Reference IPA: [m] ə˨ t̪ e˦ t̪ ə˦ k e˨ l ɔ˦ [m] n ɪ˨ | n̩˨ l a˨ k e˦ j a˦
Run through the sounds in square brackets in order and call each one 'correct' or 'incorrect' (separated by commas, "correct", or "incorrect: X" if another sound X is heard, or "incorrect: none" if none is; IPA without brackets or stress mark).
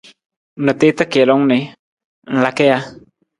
incorrect: n, incorrect: ŋ